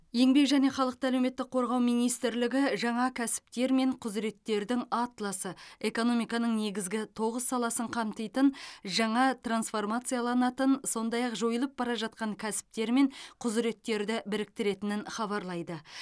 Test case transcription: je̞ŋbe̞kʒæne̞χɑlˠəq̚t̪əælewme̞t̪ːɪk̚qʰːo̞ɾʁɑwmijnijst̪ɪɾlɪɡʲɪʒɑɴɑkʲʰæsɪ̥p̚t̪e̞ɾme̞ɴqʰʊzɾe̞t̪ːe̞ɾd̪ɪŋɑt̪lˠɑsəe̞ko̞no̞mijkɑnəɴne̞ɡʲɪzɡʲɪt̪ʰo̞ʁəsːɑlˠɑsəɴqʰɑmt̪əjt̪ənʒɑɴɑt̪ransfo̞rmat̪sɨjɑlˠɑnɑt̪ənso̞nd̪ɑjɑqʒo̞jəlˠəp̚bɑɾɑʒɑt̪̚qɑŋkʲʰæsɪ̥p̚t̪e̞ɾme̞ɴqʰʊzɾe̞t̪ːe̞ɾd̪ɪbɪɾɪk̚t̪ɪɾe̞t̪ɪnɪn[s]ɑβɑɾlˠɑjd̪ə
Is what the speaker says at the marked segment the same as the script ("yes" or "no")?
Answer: no